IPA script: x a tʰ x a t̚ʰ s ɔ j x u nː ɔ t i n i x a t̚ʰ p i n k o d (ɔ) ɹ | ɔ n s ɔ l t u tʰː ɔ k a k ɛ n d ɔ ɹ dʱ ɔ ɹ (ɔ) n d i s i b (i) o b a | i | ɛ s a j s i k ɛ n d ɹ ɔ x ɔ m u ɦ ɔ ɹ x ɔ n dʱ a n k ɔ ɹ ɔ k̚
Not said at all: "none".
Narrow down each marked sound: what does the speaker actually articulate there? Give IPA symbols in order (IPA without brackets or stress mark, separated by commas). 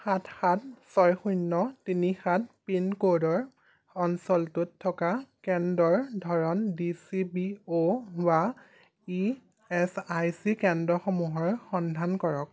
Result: ɔ, ɔ, i